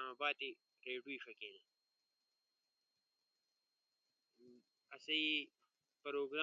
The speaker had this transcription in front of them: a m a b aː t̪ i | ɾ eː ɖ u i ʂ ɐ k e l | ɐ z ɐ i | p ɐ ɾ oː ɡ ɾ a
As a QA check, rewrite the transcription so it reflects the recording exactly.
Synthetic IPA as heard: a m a b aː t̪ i | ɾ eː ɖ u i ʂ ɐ k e l | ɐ s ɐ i | p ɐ ɾ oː ɡ ɾ a